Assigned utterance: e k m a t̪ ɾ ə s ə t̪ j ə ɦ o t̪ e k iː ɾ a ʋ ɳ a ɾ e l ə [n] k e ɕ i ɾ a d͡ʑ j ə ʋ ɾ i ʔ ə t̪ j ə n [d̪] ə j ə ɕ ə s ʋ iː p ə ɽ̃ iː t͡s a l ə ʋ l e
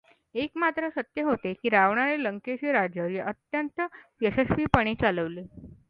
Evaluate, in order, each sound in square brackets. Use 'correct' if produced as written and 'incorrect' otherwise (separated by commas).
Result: incorrect, incorrect